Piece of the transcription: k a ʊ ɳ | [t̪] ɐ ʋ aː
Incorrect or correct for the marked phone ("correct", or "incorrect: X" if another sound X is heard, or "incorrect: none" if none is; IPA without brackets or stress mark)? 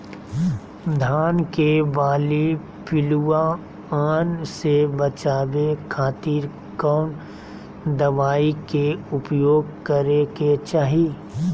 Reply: incorrect: d̪